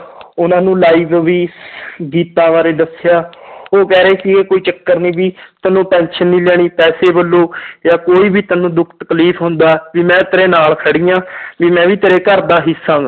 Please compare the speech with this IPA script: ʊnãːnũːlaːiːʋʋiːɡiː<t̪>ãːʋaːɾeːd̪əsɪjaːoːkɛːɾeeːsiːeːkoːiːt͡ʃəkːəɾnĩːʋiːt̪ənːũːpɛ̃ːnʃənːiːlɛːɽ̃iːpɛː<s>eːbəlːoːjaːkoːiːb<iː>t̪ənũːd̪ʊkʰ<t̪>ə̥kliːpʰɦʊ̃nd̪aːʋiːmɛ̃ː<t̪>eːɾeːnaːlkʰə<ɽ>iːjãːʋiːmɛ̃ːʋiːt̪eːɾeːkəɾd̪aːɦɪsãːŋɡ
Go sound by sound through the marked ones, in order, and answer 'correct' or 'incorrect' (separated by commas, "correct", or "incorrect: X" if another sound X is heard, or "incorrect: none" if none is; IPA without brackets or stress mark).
correct, correct, correct, correct, correct, correct